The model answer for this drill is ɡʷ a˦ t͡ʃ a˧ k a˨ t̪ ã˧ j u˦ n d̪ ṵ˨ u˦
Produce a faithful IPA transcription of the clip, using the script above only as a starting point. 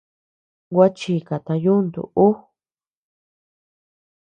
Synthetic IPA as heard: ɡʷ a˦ t͡ʃ i˧ k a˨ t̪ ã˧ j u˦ n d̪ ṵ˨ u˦